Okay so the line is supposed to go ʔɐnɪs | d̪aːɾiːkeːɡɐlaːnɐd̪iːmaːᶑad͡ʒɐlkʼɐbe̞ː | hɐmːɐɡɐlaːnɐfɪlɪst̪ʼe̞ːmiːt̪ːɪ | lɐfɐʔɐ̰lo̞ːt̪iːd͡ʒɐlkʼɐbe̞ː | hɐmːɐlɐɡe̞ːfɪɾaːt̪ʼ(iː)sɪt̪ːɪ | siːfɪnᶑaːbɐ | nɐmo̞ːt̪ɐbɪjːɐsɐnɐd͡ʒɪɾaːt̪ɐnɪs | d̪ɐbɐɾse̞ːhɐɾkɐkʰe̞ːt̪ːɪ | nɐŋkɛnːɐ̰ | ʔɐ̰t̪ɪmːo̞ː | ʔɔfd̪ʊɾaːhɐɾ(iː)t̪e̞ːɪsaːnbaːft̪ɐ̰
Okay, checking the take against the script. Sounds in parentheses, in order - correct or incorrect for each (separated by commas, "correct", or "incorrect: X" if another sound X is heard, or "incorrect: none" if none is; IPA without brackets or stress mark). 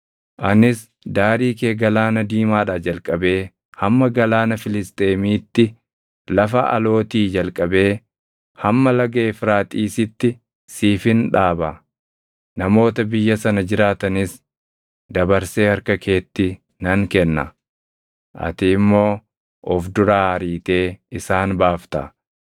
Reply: correct, correct